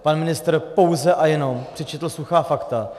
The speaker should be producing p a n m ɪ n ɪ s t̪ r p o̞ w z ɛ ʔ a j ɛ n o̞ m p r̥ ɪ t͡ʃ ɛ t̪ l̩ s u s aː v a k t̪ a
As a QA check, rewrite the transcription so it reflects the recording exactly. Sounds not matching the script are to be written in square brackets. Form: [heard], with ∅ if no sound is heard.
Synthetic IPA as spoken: p a n m ɪ n ɪ s t̪ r p o̞ w z ɛ ʔ a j ɛ n o̞ m p r̥ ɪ t͡ʃ ɛ t̪ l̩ s u [x] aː [f] a k t̪ a